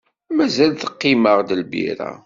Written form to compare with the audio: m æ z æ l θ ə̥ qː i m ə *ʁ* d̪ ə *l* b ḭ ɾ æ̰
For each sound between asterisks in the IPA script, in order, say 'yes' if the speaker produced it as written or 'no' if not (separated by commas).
yes, yes